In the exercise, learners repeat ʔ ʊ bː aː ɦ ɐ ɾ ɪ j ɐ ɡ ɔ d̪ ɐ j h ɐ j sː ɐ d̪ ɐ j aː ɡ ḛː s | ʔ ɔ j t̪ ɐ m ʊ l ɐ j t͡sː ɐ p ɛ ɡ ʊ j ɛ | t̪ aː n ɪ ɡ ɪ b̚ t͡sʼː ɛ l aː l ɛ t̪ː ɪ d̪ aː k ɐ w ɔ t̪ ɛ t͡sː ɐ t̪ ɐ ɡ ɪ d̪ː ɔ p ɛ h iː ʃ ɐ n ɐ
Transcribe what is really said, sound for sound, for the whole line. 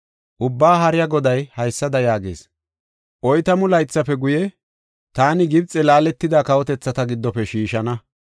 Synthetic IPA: ʔ ʊ bː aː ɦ ɐ ɾ ɪ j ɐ ɡ ɔ d̪ ɐ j h ɐ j sː ɐ d̪ ɐ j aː ɡ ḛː s | ʔ ɔ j t̪ ɐ m ʊ l ɐ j t͡sː ɐ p ɛ ɡ ʊ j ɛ | t̪ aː n ɪ ɡ ɪ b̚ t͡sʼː ɛ l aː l ɛ t̪ː ɪ d̪ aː k ɐ w ɔ t̪ ɛ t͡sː ɐ t̪ ɐ ɡ ɪ d̪ː ɔ p ɛ ʃ iː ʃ ɐ n ɐ